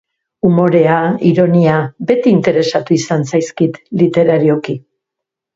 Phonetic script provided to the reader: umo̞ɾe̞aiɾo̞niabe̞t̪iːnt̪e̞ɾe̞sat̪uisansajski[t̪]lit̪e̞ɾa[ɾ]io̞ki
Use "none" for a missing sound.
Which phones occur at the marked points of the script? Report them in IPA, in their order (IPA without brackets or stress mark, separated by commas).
t̪, ɾ